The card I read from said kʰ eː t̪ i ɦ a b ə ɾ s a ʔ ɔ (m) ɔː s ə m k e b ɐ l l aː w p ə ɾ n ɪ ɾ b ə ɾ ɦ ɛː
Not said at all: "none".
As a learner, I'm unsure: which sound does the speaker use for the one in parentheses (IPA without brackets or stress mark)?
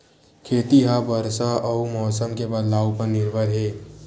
m